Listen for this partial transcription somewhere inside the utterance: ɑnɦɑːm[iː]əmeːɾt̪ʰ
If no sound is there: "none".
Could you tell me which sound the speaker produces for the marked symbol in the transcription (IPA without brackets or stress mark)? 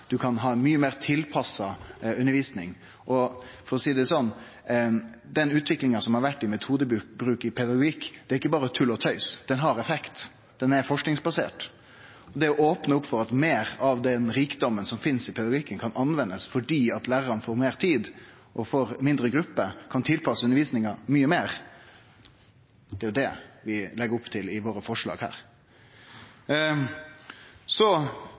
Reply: yː